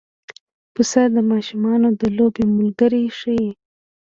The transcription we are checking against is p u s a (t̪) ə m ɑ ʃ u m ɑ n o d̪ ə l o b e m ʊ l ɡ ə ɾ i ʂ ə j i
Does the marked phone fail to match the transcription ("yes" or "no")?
yes